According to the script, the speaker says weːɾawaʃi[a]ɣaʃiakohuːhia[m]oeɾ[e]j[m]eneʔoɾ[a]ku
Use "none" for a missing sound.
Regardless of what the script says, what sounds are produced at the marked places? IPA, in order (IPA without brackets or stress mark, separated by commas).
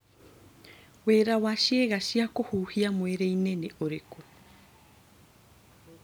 e, m, e, n, e